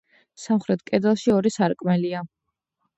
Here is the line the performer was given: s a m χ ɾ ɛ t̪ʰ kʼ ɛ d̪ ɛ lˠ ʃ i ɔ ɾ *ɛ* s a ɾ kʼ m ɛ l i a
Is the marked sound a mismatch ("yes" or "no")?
yes